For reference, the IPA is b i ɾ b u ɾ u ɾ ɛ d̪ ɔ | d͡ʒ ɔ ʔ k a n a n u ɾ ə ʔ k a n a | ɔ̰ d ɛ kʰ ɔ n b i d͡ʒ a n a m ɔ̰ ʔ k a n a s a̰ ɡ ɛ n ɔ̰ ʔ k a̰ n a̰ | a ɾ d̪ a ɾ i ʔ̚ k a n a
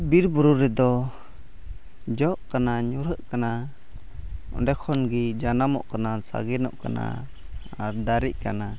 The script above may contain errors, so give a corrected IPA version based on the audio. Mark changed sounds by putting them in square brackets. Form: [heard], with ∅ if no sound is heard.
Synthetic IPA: b i ɾ b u ɾ u ɾ ɛ d̪ ɔ | d͡ʒ ɔ ʔ k a n a [ɲ] u ɾ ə ʔ k a n a | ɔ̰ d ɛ kʰ ɔ n [ɡ] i d͡ʒ a n a m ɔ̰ ʔ k a n a s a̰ ɡ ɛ n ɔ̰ ʔ k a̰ n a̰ | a ɾ d̪ a ɾ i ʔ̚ k a n a